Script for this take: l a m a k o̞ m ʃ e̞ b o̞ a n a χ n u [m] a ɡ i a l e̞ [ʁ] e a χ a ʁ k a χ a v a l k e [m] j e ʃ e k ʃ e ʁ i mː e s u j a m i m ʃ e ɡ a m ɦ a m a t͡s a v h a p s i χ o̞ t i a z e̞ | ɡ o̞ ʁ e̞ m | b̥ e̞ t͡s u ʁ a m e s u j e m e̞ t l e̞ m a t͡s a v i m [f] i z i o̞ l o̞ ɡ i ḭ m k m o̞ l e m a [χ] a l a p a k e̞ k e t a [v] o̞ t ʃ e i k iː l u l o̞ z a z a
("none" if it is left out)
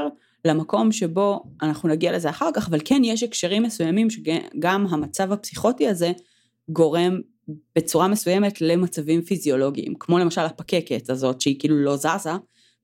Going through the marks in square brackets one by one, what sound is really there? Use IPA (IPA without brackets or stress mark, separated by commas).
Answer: n, z, n, f, ʃ, z